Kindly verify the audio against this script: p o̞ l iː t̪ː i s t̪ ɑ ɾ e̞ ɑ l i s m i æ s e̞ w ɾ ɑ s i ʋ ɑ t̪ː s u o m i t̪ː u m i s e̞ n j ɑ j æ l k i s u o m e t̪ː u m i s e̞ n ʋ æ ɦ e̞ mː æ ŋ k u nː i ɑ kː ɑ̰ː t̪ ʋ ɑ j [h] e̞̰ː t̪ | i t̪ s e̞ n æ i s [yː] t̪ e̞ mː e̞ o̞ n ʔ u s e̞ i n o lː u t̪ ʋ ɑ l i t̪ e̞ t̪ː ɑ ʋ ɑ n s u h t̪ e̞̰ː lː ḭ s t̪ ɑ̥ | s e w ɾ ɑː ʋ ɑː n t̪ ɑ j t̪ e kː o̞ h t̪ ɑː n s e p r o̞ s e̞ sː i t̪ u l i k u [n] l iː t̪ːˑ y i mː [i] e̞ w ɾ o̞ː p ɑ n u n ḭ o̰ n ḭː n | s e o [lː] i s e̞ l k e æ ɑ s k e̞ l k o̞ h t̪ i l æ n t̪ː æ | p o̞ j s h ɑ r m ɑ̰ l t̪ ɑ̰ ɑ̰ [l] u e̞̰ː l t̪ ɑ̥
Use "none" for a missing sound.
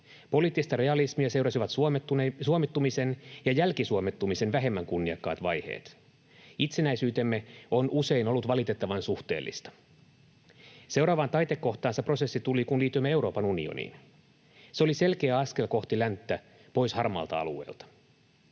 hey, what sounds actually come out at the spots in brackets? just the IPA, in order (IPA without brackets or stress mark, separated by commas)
h, yː, n, e, l, l